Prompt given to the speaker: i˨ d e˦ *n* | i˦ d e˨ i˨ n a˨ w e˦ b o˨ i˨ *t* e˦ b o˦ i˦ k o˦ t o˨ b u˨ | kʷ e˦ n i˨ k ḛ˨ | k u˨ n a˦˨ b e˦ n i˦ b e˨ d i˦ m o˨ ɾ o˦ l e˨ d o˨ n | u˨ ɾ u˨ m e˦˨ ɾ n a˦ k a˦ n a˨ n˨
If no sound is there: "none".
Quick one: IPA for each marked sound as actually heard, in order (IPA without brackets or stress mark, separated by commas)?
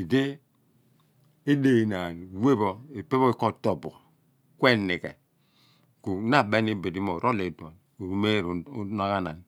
none, p